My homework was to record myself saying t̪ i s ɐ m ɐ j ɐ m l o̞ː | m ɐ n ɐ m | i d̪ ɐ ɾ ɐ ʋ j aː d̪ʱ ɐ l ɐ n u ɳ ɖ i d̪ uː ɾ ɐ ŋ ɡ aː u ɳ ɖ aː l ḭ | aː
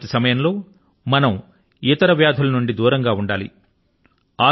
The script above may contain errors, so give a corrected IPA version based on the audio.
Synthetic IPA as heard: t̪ i s ɐ m ɐ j ɐ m l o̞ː | m ɐ n ɐ m | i t̪ ɐ ɾ ɐ ʋ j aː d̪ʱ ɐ l ɐ n u ɳ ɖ i d̪ uː ɾ ɐ ŋ ɡ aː u ɳ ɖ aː l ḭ | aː